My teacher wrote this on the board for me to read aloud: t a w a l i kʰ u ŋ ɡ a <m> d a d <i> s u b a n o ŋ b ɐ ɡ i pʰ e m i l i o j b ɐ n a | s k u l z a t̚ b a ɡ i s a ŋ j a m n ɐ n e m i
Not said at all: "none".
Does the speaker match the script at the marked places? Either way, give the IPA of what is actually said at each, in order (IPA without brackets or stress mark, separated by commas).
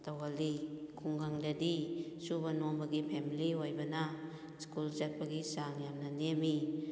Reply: ŋ, i